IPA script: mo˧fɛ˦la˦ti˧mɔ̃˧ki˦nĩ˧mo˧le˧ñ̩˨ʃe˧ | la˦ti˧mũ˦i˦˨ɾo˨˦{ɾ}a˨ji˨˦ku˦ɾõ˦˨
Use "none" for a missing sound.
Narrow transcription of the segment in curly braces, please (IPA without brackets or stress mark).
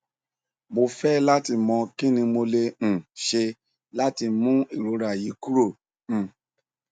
ɾ